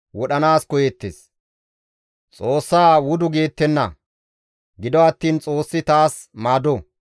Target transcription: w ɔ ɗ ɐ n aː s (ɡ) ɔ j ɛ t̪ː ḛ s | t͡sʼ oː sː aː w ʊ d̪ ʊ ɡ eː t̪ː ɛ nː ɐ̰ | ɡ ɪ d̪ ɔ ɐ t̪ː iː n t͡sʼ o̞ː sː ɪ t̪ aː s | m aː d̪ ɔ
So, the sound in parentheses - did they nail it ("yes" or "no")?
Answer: no